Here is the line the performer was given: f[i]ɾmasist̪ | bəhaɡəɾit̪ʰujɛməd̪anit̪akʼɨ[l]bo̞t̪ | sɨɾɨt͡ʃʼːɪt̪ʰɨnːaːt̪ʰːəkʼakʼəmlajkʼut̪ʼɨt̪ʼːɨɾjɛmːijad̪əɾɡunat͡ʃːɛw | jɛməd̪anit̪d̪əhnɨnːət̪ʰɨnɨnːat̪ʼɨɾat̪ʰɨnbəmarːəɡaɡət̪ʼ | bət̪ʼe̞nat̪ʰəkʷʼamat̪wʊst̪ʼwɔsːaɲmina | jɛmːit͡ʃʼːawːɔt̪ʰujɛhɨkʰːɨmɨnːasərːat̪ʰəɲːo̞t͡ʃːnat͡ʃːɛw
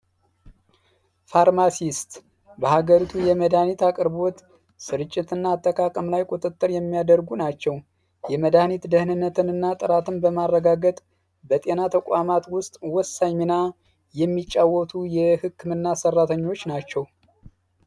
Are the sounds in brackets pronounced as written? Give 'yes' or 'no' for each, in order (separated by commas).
no, no